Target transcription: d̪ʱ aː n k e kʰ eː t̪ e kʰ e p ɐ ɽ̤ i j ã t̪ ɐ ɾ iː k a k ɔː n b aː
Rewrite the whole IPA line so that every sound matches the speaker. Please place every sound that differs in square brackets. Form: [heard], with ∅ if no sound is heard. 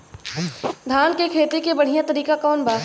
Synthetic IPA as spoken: d̪ʱ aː n k e kʰ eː t̪ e [k] e [b] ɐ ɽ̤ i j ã t̪ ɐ ɾ iː k a k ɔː n b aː